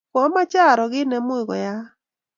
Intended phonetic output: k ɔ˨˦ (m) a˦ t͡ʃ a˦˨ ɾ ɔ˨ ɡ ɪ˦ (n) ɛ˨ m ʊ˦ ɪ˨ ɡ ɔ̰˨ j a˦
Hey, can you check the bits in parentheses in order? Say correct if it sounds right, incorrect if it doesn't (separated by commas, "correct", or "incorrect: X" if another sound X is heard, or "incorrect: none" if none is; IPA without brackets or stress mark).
correct, correct